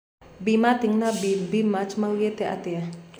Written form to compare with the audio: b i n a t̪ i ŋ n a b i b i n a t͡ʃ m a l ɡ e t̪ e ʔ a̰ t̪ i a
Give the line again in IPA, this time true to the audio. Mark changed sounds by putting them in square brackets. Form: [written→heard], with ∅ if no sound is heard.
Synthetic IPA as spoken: b i [n→m] a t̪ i ŋ n a b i b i [n→m] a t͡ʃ m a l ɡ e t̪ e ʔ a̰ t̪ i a